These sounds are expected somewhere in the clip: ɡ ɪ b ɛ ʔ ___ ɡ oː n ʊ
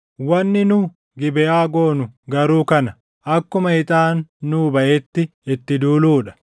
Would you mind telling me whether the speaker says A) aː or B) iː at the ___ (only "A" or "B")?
A